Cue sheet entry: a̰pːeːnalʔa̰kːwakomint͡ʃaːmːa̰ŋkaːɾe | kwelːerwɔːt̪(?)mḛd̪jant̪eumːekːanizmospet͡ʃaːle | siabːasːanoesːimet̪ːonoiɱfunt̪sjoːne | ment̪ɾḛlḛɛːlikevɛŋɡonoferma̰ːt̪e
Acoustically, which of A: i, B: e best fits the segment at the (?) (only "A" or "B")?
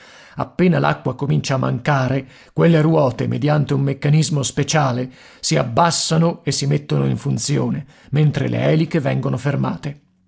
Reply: B